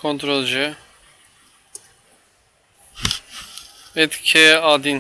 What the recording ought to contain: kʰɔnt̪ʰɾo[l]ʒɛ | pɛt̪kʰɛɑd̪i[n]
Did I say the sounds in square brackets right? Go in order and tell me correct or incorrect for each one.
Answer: correct, correct

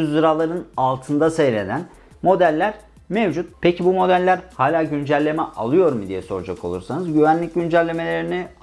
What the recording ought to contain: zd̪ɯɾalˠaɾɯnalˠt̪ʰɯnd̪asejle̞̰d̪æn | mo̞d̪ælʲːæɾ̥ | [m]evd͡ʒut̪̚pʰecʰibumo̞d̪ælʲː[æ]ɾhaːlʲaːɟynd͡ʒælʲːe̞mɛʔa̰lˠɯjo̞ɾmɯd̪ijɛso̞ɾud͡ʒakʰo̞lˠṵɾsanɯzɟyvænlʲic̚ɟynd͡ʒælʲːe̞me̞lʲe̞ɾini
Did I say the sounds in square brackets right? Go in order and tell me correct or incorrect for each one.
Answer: correct, correct

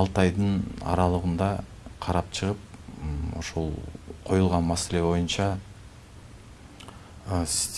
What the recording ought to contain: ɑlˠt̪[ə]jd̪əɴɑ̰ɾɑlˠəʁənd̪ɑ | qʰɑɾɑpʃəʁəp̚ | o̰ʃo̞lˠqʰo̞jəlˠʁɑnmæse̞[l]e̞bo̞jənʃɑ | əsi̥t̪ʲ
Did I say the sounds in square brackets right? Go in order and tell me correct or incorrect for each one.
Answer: incorrect, correct

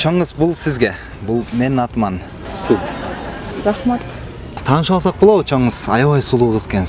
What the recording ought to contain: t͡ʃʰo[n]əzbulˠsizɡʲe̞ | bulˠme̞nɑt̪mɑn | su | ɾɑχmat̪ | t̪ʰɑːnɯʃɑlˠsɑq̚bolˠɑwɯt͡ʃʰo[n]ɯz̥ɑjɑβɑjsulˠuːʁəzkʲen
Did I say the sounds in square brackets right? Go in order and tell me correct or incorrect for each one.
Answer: incorrect, incorrect

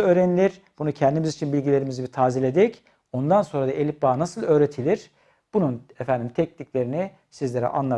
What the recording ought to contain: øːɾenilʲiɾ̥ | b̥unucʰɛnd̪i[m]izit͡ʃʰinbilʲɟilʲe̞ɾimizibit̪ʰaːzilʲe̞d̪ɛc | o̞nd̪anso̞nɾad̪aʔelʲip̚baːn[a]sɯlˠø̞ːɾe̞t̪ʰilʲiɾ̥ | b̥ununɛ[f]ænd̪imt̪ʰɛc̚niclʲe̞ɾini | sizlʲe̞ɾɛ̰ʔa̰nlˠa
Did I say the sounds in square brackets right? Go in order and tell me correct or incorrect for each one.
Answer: correct, correct, correct

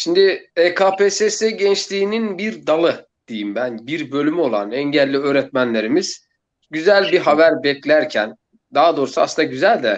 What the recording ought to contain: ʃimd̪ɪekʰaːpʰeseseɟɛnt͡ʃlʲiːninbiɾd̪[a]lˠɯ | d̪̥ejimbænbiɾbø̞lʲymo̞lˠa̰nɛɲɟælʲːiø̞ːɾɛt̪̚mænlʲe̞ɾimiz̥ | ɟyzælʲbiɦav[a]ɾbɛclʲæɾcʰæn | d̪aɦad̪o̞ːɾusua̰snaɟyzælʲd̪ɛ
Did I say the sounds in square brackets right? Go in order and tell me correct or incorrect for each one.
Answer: correct, incorrect

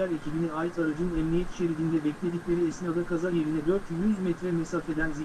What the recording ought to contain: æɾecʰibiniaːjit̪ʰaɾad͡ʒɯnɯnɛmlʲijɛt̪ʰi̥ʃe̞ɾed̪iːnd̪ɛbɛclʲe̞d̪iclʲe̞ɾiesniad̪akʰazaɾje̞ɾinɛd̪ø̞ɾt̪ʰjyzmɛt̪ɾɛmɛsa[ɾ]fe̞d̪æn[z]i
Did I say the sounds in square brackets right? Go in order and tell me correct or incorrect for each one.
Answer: incorrect, correct

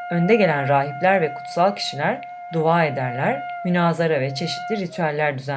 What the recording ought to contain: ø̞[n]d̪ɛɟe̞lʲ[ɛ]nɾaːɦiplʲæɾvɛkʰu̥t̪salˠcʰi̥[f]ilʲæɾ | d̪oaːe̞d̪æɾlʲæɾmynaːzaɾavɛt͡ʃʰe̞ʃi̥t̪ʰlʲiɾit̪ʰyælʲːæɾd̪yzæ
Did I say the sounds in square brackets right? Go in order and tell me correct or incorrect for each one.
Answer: correct, incorrect, incorrect

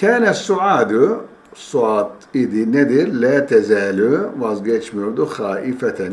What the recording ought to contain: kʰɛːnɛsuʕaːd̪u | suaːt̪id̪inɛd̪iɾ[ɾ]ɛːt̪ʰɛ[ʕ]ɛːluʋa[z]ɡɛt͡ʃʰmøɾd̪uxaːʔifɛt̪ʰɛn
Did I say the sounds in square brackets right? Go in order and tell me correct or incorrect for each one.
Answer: incorrect, incorrect, correct

